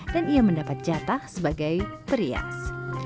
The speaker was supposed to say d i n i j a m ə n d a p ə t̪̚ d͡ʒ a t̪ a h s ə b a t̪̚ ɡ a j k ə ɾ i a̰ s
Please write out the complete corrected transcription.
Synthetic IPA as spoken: d a n i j a m ə n d a p a t̪̚ d͡ʒ a t̪ a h s ə b a ɡ a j p ə ɾ i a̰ s

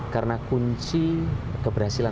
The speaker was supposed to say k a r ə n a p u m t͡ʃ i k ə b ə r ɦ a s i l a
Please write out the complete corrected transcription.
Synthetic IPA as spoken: k a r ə n a k u ɲ t͡ʃ i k ə b ə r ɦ a s i l a

